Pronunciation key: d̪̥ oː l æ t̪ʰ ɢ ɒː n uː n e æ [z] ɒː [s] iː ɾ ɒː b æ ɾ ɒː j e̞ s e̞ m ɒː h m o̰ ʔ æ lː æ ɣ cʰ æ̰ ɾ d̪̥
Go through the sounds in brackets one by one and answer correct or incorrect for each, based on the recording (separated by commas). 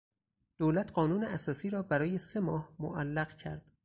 incorrect, correct